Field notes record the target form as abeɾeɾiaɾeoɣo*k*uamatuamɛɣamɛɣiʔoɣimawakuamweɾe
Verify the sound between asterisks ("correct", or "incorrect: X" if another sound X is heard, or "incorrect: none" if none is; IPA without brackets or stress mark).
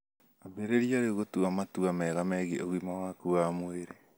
incorrect: t